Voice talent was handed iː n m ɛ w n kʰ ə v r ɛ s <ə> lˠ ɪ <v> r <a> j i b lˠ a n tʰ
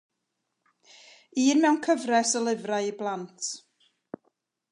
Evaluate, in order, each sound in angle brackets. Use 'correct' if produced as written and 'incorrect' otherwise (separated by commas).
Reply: correct, correct, correct